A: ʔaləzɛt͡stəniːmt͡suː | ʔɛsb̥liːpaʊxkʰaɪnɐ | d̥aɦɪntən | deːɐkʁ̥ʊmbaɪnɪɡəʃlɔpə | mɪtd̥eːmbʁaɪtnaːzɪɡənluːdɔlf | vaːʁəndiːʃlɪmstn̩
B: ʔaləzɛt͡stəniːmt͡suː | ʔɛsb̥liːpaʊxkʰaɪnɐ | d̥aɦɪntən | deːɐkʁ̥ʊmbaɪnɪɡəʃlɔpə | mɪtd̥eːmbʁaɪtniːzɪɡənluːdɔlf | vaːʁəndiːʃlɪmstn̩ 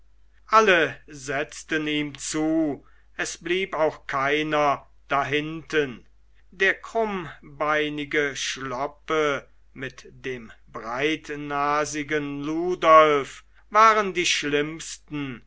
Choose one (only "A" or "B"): A